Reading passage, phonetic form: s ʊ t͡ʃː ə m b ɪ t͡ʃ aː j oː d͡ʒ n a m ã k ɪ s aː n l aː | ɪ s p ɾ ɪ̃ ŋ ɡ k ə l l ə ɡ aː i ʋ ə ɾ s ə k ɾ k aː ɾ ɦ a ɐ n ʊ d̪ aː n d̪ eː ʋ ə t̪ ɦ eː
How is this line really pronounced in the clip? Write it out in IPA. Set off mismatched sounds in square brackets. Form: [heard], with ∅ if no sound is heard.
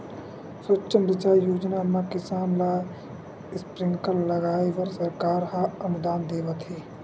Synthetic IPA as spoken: s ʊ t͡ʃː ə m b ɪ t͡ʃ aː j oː d͡ʒ n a m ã k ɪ s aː n l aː | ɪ s p ɾ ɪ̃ ŋ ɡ k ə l l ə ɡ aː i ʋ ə ɾ s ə [∅] ɾ k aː ɾ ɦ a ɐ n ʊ d̪ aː n d̪ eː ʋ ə t̪ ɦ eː